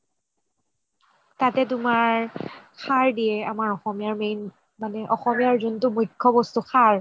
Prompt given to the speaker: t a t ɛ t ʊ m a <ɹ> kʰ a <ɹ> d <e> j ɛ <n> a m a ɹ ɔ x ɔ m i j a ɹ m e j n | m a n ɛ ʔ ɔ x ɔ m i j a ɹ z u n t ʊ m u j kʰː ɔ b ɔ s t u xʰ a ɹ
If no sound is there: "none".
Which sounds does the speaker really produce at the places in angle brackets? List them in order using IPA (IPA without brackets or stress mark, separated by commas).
ɹ, ɹ, i, none